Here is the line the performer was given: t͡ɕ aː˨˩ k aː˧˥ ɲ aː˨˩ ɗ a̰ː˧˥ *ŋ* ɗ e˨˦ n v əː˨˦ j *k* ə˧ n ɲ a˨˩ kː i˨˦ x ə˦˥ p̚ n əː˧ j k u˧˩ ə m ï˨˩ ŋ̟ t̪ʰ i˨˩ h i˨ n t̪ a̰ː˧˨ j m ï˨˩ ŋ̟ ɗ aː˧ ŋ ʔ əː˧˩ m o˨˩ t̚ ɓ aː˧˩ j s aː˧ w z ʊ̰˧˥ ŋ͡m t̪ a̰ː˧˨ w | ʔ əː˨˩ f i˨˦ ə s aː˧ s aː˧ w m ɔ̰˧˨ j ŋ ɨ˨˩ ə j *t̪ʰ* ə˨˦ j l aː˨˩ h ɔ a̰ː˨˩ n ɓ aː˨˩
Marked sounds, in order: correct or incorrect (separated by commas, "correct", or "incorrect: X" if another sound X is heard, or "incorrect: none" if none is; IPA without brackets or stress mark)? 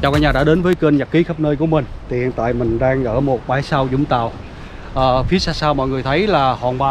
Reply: incorrect: none, correct, correct